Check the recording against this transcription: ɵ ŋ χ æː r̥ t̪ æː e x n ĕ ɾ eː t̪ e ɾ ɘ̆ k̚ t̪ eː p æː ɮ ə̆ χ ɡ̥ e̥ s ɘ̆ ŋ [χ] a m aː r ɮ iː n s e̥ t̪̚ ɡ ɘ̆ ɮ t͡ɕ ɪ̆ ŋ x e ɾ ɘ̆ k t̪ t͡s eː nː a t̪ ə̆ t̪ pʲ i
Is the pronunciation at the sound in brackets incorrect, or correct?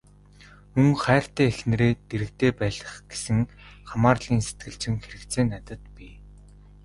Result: correct